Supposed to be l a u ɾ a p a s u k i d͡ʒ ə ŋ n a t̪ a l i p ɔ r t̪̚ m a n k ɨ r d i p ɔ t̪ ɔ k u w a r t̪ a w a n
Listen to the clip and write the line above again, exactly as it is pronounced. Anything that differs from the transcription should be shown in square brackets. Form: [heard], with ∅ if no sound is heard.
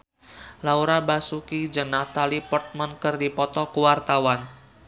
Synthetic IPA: l a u ɾ a [b] a s u k i d͡ʒ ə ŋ n a t̪ a l i p ɔ r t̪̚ m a n k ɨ r d i p ɔ t̪ ɔ k u w a r t̪ a w a n